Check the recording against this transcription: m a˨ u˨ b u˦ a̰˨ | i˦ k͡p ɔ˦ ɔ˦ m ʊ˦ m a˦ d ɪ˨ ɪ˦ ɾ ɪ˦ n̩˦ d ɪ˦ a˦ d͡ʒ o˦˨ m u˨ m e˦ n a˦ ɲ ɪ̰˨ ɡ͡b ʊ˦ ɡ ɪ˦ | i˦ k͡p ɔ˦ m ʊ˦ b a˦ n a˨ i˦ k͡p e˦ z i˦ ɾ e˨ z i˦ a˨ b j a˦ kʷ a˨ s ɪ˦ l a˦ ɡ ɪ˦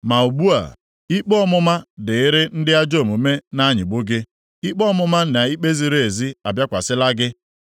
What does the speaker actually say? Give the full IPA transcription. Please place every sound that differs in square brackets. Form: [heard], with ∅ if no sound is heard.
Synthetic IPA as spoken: m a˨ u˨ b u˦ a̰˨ | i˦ k͡p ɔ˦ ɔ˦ m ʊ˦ m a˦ d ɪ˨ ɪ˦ ɾ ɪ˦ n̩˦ d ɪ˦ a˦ d͡ʒ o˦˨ m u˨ m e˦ n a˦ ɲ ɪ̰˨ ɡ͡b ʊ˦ ɡ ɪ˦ | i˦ k͡p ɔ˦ m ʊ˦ [m] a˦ n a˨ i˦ k͡p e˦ z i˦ ɾ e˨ z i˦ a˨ b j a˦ kʷ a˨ s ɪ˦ l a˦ ɡ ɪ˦